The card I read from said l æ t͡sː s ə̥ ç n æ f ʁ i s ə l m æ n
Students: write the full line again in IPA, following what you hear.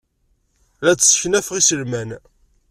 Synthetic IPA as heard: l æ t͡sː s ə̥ ç n æ f ʁ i s ə l m æ n